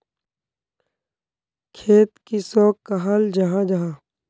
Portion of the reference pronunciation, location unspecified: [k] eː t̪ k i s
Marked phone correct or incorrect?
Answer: incorrect